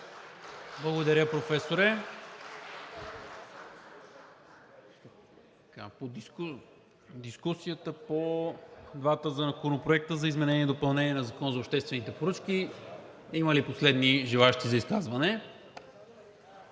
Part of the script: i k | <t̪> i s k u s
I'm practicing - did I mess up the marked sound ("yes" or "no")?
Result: yes